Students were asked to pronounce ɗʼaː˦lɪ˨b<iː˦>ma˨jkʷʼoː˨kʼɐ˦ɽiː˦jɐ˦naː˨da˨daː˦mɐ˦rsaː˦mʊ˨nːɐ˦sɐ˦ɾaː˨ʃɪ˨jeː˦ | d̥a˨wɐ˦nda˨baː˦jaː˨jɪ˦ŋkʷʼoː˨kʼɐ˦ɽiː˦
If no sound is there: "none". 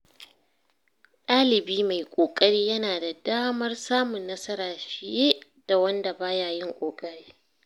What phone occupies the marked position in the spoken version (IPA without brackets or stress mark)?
iː˦